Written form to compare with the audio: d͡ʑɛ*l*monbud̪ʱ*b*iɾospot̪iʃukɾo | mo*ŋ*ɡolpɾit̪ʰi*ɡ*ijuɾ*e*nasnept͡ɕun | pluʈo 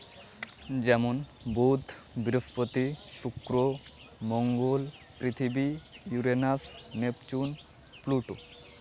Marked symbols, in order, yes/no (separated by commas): no, yes, yes, no, yes